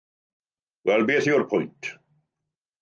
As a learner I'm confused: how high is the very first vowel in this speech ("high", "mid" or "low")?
mid